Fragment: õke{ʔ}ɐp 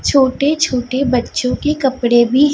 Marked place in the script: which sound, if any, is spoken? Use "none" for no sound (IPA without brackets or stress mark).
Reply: k